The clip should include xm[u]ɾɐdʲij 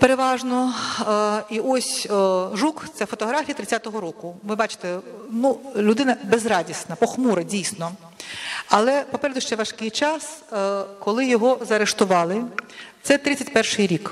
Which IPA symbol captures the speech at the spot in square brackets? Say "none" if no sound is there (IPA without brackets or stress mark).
u